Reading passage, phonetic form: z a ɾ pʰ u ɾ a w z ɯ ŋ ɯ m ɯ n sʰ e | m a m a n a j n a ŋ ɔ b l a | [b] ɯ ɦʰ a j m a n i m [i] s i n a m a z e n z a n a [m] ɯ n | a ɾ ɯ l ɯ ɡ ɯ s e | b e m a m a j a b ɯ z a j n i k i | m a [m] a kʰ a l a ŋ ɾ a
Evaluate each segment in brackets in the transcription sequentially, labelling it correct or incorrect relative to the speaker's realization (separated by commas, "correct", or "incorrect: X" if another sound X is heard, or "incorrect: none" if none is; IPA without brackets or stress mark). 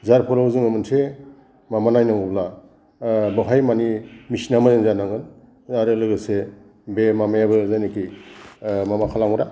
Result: correct, correct, incorrect: ŋ, correct